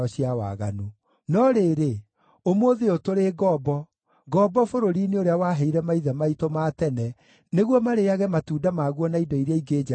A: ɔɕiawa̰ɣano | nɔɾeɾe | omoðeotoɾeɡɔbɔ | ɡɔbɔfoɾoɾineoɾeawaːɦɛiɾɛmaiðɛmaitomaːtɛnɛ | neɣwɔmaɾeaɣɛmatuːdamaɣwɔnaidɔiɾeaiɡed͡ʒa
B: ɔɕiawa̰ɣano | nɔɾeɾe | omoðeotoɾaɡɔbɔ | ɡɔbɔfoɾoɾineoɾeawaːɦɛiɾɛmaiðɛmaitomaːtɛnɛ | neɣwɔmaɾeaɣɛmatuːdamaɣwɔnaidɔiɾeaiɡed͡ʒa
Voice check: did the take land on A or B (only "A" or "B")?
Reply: A